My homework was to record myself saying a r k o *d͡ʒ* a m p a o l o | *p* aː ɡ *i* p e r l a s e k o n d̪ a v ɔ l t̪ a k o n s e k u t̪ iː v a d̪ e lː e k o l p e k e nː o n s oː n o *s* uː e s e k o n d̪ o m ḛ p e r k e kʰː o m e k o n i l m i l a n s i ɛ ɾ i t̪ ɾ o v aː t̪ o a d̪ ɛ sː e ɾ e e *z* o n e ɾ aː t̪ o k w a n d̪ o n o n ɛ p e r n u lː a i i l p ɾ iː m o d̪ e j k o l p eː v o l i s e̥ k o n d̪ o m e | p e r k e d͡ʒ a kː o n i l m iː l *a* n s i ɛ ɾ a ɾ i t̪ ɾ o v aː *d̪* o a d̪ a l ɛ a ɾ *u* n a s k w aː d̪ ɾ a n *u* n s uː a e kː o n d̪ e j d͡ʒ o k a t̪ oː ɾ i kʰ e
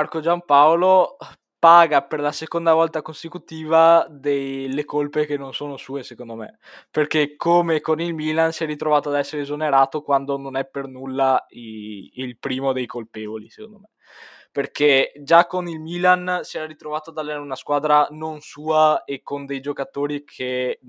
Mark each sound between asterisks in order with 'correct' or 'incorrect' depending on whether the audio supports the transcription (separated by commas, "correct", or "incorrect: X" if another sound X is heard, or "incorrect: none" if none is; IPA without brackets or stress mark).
correct, correct, incorrect: a, correct, correct, correct, incorrect: t̪, correct, incorrect: o